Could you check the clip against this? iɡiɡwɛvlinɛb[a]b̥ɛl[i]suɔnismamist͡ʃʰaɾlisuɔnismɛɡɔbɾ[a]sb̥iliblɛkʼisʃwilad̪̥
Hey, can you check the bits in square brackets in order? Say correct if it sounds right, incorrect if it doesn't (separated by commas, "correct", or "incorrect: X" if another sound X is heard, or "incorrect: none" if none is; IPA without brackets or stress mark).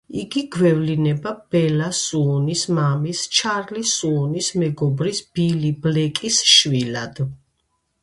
correct, incorrect: a, incorrect: i